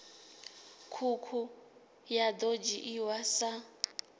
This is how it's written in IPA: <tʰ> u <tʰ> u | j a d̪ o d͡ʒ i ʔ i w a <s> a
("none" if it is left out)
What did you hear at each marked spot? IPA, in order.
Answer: kʰ, kʰ, s

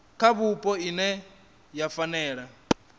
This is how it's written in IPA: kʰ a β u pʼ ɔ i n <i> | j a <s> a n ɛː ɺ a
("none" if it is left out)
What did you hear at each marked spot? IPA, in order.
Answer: ɛ, f

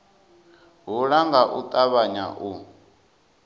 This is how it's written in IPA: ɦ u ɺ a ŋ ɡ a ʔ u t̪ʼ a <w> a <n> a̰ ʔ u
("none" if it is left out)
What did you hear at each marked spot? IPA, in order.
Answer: β, ɲ

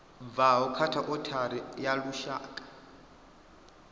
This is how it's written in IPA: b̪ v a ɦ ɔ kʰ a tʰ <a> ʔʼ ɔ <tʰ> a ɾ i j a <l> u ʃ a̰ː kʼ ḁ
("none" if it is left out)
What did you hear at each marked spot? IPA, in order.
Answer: a, tʰ, l

